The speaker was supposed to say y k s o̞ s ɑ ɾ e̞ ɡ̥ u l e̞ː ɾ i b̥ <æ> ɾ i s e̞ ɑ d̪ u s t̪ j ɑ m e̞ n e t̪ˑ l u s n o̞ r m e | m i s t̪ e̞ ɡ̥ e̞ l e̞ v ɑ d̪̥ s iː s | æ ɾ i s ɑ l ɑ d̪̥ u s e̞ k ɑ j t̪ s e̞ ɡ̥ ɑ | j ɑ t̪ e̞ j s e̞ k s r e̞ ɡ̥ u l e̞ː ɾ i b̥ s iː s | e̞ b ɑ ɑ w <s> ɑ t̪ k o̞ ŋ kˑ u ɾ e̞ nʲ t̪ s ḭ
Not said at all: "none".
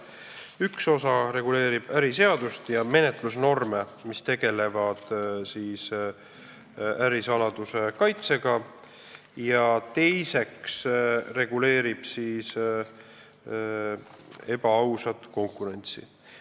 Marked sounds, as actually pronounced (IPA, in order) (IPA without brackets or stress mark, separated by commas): æ, s